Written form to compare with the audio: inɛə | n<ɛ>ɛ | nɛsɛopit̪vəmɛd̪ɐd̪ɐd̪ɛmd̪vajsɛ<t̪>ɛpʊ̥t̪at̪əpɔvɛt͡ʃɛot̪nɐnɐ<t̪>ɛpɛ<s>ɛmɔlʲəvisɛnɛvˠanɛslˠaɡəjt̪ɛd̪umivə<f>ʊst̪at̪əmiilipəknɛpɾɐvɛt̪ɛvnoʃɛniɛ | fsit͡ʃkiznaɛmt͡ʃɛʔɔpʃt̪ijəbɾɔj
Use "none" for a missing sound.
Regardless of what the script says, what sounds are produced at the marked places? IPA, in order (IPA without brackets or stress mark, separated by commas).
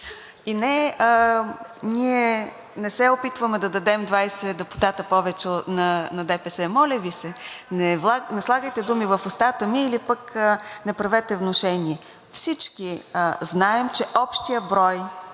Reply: i, d̪, d̪, s, f